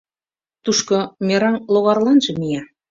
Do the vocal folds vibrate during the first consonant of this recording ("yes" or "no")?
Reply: no